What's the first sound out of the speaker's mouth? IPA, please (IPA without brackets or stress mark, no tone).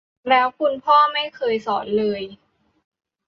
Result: l